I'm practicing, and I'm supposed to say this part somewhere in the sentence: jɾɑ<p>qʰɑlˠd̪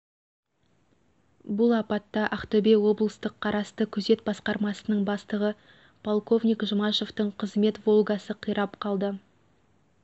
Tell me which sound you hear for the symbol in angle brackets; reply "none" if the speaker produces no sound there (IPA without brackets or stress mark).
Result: p